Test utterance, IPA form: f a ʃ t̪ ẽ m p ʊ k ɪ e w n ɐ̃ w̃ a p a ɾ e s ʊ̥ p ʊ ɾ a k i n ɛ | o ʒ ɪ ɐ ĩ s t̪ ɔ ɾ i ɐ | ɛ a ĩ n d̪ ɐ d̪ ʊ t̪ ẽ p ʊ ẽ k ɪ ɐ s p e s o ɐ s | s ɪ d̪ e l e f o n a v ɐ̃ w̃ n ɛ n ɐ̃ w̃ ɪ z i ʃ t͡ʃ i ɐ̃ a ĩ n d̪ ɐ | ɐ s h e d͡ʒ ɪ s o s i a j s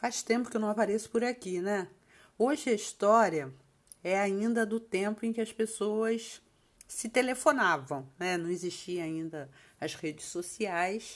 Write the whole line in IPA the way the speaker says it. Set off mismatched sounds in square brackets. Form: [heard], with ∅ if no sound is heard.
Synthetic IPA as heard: f a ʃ t̪ ẽ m p ʊ k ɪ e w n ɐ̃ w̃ a p a ɾ e s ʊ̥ p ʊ ɾ a k i n ɛ | o ʒ ɪ ɐ [i] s t̪ ɔ ɾ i ɐ | ɛ a ĩ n d̪ ɐ d̪ ʊ t̪ ẽ p ʊ ẽ k ɪ ɐ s p e s o ɐ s | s ɪ [t̪] e l e f o n a v ɐ̃ w̃ n ɛ n ɐ̃ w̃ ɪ z i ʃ t͡ʃ i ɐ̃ a ĩ n d̪ ɐ | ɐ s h e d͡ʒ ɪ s o s i a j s